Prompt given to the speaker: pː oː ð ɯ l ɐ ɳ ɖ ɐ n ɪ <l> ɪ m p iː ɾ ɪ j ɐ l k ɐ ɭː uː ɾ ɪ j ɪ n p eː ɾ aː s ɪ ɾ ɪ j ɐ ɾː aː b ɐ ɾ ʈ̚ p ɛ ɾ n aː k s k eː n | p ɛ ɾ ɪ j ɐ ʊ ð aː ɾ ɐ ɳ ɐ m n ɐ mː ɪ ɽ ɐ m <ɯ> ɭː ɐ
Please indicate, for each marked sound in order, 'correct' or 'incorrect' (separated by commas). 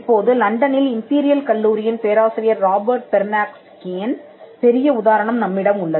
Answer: correct, incorrect